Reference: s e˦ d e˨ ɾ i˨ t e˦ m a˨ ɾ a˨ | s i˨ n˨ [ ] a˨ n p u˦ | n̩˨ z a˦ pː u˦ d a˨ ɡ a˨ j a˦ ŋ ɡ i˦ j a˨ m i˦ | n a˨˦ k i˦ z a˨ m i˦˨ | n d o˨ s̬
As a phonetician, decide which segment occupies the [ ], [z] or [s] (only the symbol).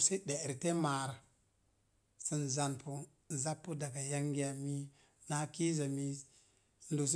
z